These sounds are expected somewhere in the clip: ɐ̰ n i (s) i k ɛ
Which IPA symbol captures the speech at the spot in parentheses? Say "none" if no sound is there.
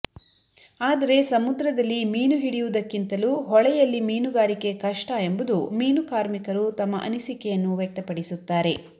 s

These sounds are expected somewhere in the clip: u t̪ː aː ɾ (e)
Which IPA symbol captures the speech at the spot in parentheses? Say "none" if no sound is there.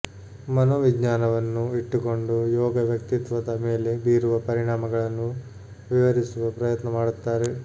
e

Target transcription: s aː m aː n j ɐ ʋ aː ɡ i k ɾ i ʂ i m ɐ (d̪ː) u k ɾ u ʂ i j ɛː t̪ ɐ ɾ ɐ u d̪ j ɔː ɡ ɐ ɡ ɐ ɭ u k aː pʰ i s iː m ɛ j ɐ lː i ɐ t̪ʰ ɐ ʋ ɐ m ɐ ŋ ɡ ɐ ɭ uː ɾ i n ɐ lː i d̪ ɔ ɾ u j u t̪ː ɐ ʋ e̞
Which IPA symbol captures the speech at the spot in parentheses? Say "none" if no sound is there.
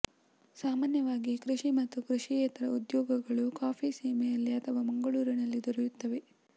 t̪ː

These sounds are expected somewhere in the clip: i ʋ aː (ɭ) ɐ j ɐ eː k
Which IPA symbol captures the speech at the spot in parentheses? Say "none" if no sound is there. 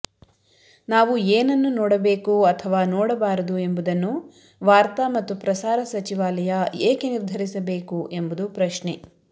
l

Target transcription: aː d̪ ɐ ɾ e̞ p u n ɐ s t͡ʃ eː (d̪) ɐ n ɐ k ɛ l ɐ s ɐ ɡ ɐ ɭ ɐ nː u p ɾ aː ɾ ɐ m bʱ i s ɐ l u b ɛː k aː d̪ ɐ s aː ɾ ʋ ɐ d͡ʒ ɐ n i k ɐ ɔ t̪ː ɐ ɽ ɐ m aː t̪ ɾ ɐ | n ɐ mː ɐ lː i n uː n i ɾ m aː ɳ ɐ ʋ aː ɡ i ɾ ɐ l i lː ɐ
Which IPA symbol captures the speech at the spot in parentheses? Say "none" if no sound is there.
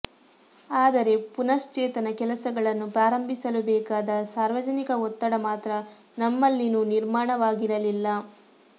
t̪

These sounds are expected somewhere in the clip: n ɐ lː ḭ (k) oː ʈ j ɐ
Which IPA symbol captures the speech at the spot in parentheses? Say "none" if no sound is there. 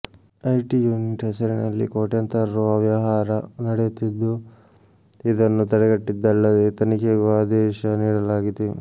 k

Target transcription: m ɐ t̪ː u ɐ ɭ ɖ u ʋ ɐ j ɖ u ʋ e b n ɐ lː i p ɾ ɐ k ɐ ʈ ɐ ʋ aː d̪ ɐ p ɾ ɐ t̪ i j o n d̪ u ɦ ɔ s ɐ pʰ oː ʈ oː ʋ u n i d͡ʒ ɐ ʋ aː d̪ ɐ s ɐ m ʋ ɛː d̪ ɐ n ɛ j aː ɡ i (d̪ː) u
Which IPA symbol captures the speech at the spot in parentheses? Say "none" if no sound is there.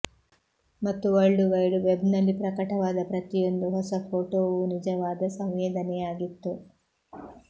t̪ː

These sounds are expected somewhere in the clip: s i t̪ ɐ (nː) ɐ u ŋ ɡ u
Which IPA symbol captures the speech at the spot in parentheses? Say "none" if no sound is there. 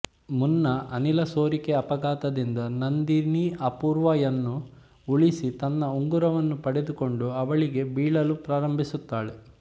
nː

